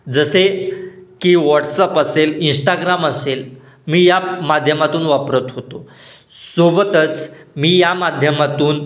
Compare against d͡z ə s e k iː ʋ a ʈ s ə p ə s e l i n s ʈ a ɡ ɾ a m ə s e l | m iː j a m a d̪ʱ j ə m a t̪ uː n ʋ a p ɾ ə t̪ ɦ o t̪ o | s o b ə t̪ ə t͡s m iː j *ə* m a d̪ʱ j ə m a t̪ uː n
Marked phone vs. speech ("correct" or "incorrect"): incorrect